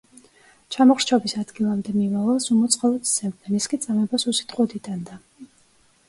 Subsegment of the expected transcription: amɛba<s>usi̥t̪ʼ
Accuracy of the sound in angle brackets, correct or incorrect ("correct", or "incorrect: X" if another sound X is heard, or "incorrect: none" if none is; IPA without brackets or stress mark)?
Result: correct